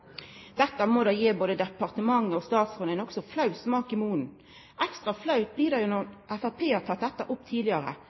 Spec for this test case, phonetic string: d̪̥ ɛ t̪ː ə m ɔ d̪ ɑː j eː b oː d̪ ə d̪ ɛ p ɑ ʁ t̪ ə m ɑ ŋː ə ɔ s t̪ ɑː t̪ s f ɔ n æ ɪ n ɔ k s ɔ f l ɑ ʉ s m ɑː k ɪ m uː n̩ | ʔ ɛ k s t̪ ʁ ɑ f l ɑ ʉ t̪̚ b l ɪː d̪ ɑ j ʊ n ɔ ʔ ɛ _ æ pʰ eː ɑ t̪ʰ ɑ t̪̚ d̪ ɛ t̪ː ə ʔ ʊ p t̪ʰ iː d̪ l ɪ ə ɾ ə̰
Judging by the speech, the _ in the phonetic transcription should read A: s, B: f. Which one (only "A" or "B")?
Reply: B